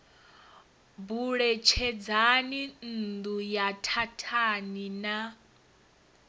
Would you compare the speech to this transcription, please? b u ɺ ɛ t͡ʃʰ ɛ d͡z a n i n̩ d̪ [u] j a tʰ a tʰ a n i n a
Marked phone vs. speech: correct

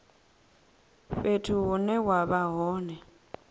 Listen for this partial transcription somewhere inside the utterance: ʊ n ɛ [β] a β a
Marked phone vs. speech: incorrect: w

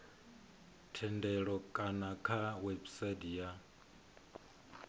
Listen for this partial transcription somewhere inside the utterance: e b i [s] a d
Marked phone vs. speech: correct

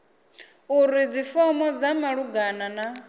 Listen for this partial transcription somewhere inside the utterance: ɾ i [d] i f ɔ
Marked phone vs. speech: incorrect: d͡z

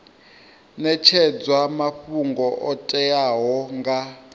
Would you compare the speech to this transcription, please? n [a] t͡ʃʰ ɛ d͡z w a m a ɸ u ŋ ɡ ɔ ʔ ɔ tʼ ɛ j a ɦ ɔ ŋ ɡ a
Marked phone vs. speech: incorrect: ɛ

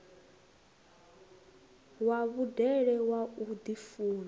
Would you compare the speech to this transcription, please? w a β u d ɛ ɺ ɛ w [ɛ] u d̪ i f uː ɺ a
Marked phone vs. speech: incorrect: a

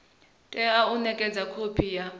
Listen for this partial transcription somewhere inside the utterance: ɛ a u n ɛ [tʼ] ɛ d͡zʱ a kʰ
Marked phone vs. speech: incorrect: kʼ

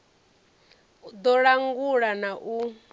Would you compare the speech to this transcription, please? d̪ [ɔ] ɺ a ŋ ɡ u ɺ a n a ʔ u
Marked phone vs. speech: correct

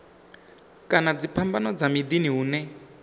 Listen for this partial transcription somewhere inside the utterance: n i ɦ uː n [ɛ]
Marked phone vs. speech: correct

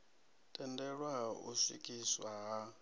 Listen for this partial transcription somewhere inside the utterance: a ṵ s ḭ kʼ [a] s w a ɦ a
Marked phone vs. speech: incorrect: i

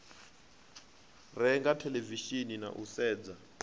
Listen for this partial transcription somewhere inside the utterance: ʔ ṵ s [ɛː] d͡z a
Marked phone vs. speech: correct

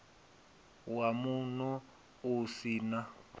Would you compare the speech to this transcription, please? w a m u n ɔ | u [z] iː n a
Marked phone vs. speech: incorrect: s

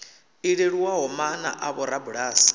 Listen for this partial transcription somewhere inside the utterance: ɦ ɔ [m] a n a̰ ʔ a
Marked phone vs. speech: correct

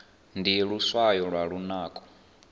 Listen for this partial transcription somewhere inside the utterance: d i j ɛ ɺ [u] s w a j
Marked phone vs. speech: correct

